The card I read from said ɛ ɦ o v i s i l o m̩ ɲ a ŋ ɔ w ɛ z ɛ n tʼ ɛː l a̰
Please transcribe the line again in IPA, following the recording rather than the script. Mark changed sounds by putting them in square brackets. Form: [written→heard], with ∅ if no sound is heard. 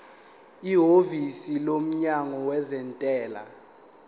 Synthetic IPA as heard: [ɛ→i] ɦ o v i s i l o m̩ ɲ a ŋ ɔ w ɛ z ɛ n tʼ ɛː l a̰